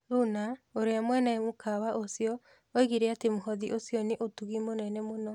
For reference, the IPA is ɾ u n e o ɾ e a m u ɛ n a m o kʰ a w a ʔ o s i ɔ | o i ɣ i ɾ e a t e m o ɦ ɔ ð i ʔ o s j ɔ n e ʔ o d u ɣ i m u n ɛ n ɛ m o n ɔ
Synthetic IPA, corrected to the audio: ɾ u n a o ɾ e a m w ɛ n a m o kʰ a w a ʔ o s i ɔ | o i ɣ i ɾ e a t e m o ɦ ɔ ð i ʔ o s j ɔ n e ʔ o t u ɣ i m o n ɛ n ɛ m o n ɔ